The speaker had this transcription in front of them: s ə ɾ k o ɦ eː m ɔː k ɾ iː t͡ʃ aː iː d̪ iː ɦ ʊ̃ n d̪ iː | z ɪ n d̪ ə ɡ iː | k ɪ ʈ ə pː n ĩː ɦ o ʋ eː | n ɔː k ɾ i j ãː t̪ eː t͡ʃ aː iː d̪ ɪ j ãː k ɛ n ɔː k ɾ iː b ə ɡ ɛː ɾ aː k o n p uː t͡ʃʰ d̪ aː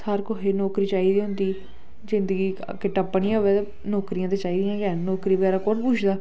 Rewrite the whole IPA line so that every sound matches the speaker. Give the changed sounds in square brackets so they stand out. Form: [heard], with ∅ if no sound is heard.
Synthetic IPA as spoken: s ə ɾ k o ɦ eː [n] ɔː k ɾ iː t͡ʃ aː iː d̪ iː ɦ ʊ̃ n d̪ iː | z ɪ n d̪ ə ɡ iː | k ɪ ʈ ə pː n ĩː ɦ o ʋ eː | n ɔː k ɾ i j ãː t̪ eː t͡ʃ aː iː d̪ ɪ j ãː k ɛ n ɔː k ɾ iː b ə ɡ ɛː ɾ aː k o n p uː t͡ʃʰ d̪ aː